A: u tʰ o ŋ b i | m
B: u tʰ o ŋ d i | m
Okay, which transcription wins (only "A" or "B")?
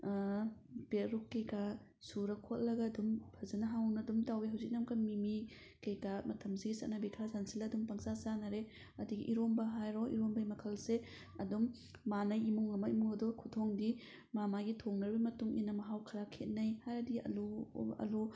B